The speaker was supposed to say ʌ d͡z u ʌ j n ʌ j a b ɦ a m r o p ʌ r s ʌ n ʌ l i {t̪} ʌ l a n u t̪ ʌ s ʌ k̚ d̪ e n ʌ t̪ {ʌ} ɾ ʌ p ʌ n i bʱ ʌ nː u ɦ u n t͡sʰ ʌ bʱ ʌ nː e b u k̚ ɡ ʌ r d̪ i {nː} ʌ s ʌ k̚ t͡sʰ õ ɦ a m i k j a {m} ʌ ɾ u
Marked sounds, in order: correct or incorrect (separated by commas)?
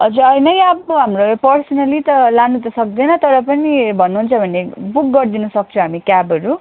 correct, correct, incorrect, incorrect